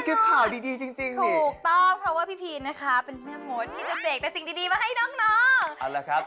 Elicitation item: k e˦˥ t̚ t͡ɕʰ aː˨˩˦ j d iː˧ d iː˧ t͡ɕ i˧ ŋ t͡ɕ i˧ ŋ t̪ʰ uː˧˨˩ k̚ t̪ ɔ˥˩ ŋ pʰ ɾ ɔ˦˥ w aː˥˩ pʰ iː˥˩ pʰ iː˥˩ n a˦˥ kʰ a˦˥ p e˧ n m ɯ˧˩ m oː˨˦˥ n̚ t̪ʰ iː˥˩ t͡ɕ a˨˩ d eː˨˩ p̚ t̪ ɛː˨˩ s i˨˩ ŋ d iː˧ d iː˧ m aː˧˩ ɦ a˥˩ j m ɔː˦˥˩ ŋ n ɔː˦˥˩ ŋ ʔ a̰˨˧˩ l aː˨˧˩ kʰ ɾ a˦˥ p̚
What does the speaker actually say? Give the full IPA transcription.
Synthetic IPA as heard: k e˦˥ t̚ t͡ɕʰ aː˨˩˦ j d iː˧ d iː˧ t͡ɕ i˧ ŋ t͡ɕ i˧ ŋ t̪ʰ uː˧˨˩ k̚ t̪ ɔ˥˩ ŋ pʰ ɾ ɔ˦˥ w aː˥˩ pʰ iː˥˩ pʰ iː˧ n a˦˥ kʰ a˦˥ p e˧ n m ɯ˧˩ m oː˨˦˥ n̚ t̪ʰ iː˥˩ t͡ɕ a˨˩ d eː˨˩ k̚ t̪ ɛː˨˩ s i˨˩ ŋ d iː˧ d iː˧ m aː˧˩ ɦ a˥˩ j n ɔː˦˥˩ ŋ n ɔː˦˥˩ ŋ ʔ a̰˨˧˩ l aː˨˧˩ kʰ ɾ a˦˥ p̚

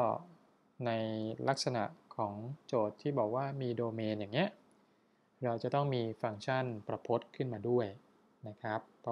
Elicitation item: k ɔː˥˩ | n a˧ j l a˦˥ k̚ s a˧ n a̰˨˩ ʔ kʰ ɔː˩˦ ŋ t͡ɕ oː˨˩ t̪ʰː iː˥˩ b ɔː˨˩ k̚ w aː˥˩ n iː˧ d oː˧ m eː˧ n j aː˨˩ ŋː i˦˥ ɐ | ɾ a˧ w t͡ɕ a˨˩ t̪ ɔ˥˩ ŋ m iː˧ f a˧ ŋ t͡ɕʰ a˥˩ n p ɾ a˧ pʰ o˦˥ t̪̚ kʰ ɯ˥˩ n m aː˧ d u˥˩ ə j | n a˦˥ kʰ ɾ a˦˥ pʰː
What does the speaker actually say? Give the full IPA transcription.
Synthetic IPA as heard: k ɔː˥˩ | n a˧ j l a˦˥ k̚ s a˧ n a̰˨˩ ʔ kʰ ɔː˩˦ ŋ t͡ɕ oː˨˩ t̪ʰː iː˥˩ b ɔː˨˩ k̚ w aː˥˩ m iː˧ d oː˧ m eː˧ n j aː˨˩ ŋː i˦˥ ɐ | ɾ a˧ w t͡ɕ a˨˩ t̪ ɔ˥˩ ŋ m iː˧ f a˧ ŋ t͡ɕʰ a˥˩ n p ɾ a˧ pʰ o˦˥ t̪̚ kʰ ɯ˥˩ n m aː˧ d u˥˩ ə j | n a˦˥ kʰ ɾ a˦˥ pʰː

